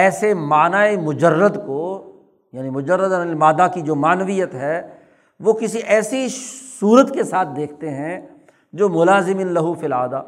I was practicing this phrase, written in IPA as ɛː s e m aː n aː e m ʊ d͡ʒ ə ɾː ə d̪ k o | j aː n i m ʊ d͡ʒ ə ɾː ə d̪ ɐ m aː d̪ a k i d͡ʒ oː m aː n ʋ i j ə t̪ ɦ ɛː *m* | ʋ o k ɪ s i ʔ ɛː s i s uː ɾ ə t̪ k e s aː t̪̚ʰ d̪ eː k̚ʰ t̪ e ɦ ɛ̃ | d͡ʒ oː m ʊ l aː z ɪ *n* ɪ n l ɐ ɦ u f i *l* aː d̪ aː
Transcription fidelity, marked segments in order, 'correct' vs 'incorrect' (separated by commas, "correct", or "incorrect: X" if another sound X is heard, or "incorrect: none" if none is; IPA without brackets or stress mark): incorrect: none, incorrect: m, correct